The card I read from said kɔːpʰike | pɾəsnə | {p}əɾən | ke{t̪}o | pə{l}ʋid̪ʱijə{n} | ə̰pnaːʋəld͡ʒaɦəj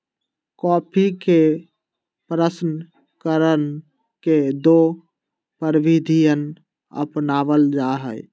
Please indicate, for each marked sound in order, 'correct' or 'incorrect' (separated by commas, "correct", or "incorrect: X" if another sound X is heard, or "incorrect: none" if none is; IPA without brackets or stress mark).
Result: incorrect: k, incorrect: d̪, incorrect: ɾ, correct